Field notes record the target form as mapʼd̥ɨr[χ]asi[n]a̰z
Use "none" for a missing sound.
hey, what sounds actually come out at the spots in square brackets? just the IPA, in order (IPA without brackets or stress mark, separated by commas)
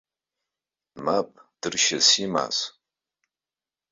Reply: ʃ, m